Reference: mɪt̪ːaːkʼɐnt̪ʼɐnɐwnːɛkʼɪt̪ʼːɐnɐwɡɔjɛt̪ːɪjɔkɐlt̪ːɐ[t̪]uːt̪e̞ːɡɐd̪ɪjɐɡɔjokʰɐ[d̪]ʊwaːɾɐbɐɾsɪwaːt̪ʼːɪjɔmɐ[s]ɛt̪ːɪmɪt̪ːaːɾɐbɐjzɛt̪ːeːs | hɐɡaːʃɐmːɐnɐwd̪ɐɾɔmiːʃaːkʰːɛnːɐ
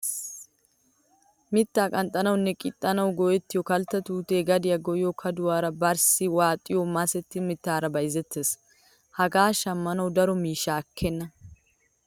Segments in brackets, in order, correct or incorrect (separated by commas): correct, correct, correct